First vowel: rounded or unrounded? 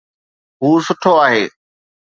rounded